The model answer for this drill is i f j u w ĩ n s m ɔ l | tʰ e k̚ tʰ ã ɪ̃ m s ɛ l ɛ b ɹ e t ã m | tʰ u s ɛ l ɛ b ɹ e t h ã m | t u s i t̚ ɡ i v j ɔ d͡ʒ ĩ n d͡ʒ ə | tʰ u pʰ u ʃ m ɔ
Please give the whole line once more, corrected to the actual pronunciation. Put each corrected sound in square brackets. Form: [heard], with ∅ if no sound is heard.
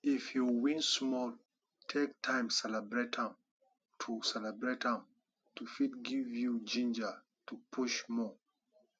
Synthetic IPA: i f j u w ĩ n s m ɔ l | tʰ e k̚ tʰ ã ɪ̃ m s ɛ l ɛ b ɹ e t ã m | tʰ u s ɛ l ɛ b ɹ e t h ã m | t u [f] i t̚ ɡ i v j [u] d͡ʒ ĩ n d͡ʒ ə | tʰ u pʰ u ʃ m ɔ